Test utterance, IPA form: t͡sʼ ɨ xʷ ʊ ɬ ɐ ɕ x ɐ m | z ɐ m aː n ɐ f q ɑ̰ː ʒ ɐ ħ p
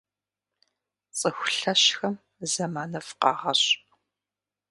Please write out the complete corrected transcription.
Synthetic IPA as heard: t͡sʼ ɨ xʷ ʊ ɬ ɐ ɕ x ɐ m | z ɐ m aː n ɐ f q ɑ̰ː ʁ ɐ ɕ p